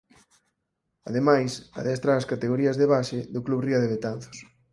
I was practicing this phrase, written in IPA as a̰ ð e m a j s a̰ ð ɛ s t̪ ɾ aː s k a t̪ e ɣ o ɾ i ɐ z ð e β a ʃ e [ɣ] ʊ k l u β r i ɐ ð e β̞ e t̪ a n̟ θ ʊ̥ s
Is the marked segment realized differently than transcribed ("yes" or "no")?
yes